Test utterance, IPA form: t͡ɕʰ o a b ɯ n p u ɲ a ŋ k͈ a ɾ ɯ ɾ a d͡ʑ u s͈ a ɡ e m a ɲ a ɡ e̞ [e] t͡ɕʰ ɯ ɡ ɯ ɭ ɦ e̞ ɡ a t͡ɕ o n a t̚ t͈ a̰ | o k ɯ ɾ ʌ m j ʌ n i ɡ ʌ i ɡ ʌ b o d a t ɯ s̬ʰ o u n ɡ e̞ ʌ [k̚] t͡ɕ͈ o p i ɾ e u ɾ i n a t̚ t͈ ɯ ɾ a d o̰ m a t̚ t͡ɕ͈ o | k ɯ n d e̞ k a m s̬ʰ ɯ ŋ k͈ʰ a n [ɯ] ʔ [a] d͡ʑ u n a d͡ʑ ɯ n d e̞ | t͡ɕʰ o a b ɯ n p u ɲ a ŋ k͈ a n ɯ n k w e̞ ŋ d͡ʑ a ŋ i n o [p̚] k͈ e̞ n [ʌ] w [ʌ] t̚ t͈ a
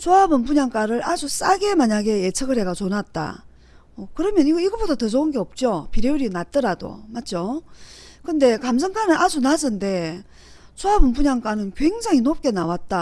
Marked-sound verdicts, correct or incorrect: correct, incorrect: p̚, correct, correct, correct, incorrect: a, incorrect: a

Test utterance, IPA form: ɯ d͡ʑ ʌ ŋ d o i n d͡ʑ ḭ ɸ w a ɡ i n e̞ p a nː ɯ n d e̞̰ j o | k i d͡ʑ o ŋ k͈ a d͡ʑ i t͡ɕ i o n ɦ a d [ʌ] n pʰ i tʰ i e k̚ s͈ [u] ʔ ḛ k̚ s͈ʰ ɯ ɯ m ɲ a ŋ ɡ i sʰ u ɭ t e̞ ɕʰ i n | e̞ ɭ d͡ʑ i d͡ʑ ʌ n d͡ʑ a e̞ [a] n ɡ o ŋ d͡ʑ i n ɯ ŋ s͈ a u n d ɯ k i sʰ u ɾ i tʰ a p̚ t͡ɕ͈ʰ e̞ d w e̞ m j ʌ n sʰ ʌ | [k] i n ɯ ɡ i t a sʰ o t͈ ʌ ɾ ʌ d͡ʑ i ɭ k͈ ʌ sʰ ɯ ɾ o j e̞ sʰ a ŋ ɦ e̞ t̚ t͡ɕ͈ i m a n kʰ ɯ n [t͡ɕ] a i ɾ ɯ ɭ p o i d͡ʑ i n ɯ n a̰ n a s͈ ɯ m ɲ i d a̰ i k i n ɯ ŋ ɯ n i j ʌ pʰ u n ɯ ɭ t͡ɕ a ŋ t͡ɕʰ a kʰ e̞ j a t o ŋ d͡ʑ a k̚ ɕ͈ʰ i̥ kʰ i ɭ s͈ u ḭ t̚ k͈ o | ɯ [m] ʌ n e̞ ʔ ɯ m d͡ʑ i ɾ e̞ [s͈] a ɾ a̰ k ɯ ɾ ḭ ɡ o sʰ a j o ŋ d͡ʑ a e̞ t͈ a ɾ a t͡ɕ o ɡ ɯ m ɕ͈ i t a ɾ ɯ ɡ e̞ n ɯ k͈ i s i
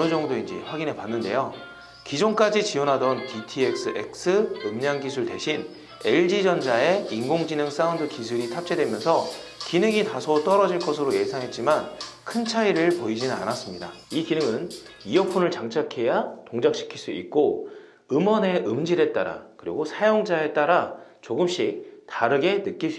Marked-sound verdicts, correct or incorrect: correct, incorrect: ɯ, incorrect: i, correct, incorrect: t͡ɕʰ, correct, incorrect: t͈

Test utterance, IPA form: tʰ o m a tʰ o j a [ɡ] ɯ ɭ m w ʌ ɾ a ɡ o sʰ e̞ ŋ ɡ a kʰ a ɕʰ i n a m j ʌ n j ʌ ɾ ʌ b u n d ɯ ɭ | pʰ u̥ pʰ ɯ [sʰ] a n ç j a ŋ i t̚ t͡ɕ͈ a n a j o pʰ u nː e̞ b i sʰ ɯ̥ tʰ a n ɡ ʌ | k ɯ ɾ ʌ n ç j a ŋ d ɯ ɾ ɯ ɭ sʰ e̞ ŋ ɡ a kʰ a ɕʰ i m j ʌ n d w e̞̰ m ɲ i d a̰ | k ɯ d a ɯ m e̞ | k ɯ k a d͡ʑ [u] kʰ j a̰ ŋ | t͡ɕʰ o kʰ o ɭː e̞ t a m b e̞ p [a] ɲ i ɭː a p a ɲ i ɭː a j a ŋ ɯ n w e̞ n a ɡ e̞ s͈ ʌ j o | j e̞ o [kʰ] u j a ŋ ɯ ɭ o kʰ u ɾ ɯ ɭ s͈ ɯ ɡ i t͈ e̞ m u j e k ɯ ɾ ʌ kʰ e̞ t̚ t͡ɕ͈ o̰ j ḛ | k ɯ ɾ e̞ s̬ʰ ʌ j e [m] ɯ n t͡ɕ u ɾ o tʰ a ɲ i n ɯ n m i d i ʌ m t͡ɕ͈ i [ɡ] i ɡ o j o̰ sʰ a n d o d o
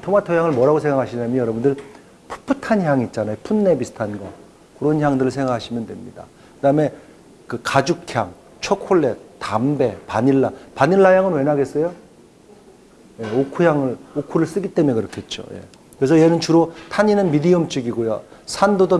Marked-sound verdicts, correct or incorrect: incorrect: ŋ, incorrect: tʰ, correct, correct, correct, incorrect: n, correct

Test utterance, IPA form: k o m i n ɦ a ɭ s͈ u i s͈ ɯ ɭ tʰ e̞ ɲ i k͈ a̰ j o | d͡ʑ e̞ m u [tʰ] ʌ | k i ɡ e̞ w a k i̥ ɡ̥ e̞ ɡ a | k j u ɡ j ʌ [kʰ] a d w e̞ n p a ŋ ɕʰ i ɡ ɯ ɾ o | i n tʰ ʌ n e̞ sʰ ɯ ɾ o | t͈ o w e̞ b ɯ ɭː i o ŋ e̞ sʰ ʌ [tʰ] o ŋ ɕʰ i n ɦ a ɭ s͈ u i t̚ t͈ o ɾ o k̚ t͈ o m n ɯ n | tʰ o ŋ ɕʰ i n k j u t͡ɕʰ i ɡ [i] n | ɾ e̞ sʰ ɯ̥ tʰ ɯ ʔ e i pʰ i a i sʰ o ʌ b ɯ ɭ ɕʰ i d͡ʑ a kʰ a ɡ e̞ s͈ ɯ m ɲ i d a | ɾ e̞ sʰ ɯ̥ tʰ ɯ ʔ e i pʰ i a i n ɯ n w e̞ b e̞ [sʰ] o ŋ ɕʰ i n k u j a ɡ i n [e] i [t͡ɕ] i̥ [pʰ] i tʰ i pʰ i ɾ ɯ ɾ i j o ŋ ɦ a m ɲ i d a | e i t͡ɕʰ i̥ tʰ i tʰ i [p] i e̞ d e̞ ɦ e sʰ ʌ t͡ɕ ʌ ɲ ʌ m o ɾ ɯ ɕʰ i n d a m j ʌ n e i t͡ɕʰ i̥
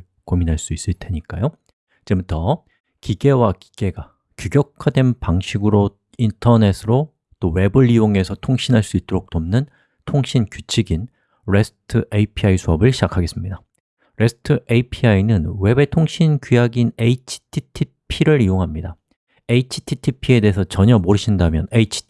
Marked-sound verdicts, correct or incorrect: correct, correct, correct, correct, incorrect: tʰ, correct, incorrect: t͡ɕʰ, incorrect: tʰ, incorrect: pʰ

